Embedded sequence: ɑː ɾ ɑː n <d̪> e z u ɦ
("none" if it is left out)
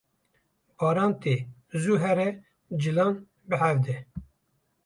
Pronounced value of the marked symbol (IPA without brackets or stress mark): t̪